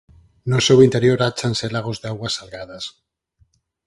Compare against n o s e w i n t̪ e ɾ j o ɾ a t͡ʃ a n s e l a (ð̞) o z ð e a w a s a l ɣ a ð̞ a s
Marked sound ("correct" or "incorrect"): incorrect